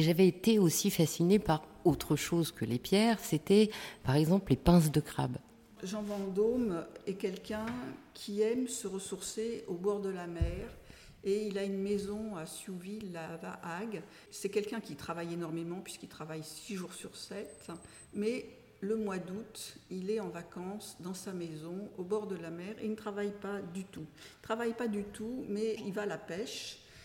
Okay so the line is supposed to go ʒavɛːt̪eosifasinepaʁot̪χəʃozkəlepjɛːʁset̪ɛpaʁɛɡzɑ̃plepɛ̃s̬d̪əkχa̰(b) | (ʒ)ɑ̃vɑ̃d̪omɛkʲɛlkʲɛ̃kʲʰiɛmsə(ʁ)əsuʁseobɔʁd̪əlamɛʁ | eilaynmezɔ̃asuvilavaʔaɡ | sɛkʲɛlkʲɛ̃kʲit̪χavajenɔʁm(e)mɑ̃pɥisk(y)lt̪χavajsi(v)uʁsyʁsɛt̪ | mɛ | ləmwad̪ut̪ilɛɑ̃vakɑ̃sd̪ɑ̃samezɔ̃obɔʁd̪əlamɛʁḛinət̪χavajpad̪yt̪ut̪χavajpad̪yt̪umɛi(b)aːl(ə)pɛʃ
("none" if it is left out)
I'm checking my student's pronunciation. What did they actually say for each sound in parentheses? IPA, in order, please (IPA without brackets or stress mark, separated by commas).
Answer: b, ʒ, ʁ, e, i, ʒ, v, a